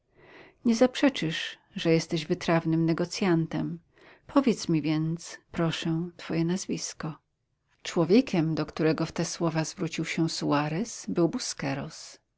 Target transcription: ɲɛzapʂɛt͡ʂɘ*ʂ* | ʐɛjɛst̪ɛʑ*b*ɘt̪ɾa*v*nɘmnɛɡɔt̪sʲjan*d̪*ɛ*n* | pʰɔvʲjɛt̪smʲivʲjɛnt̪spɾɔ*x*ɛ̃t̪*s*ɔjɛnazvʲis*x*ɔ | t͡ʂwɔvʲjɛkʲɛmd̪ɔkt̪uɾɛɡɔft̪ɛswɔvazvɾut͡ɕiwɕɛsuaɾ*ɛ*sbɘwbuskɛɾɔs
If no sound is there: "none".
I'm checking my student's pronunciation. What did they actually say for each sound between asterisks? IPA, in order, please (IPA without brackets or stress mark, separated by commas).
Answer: ʂ, v, v, t̪, m, ʂ, f, k, ɛ